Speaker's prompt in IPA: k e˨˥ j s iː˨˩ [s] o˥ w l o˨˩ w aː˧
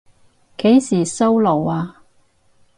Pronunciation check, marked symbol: correct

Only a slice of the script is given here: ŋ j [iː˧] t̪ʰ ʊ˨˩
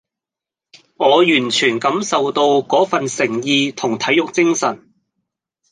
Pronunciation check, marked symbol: correct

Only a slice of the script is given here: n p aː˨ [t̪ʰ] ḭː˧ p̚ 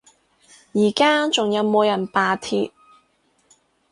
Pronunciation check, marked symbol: correct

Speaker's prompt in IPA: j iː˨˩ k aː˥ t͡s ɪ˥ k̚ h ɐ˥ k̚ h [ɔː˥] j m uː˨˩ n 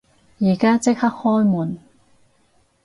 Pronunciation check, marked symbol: correct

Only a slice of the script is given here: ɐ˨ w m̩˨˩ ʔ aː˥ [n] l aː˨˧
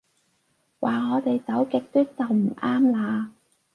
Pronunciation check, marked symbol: incorrect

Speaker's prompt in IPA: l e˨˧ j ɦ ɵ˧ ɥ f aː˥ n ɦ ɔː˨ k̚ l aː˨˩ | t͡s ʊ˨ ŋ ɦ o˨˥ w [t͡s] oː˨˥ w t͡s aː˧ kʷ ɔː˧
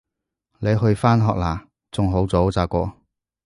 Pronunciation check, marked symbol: correct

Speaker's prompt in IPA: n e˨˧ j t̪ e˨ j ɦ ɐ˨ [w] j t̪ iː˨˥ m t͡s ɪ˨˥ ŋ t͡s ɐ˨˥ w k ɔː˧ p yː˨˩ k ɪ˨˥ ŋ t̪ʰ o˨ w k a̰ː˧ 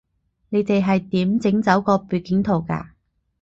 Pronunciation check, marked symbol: incorrect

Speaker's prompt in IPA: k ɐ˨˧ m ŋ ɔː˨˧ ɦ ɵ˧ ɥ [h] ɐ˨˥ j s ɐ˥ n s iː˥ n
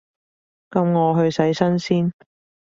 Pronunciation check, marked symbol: incorrect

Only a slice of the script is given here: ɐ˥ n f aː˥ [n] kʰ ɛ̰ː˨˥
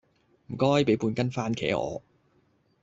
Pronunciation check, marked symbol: correct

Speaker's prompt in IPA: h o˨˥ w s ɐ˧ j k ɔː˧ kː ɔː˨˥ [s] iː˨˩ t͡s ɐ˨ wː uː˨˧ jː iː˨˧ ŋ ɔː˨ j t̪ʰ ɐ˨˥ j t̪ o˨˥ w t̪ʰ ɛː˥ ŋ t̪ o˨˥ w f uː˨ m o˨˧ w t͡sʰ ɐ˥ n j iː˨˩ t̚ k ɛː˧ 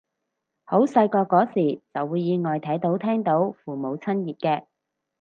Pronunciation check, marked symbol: correct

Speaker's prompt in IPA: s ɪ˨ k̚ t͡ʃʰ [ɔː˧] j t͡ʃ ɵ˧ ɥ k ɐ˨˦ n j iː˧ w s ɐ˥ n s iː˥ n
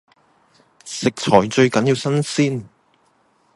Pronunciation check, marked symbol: incorrect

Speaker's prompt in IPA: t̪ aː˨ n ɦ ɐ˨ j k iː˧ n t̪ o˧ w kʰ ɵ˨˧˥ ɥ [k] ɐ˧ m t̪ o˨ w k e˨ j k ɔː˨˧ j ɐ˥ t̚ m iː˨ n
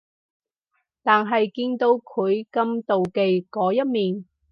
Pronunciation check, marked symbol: correct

